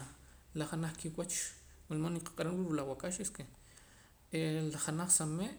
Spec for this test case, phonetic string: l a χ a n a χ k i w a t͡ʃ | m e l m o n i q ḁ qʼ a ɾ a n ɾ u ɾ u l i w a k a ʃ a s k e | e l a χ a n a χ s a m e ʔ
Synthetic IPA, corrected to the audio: l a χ a n a χ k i w a t͡ʃ | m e l m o n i q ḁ qʼ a ɾ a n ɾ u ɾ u l a w a k a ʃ e s k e | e l a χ a n a χ s a m e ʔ